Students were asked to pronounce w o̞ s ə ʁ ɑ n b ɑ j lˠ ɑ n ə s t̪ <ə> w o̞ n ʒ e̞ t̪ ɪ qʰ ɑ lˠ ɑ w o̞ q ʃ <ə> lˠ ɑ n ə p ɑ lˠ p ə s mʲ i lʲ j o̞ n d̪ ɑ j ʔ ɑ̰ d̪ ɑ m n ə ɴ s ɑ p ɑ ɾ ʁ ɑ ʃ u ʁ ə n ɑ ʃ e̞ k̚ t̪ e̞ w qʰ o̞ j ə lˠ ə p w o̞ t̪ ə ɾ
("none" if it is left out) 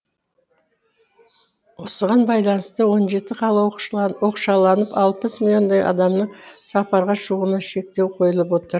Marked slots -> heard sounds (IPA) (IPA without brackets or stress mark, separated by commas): ə, ɑ